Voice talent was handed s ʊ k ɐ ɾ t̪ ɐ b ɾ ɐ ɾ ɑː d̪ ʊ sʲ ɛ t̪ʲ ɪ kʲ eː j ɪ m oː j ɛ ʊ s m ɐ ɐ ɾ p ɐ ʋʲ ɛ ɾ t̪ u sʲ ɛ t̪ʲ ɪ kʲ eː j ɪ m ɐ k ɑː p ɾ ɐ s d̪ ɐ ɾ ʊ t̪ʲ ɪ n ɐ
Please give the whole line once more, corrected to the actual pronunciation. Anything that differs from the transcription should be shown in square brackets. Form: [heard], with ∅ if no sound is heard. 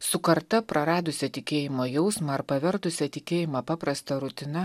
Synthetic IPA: s ʊ k ɐ ɾ t̪ ɐ [p] ɾ ɐ ɾ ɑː d̪ ʊ sʲ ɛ t̪ʲ ɪ kʲ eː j ɪ m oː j ɛ ʊ s m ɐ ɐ ɾ p ɐ ʋʲ ɛ ɾ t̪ [ʊ] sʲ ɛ t̪ʲ ɪ kʲ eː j ɪ m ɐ [p] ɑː p ɾ ɐ s [t̪] ɐ ɾ ʊ t̪ʲ ɪ n ɐ